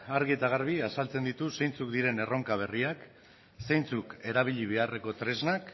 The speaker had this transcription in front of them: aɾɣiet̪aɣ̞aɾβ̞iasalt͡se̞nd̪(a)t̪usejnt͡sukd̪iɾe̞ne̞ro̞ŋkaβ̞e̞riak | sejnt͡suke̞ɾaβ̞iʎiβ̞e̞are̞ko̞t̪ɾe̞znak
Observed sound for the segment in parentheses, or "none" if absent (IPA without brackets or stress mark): i